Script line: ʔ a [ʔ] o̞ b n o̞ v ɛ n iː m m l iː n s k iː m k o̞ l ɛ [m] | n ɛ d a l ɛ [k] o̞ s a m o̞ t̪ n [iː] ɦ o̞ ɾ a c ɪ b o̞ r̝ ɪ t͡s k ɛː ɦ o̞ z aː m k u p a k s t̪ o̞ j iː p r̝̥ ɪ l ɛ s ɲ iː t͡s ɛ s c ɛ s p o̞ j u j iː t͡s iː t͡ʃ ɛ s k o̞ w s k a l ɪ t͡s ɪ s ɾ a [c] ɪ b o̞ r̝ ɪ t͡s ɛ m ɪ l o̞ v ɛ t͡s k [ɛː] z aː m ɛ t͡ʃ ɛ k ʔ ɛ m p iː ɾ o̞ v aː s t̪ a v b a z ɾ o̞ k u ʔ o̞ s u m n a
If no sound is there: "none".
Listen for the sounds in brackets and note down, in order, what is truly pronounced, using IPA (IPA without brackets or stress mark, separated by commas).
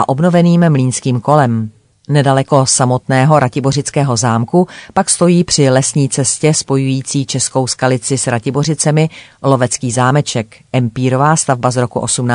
ʔ, m, k, ɛː, c, iː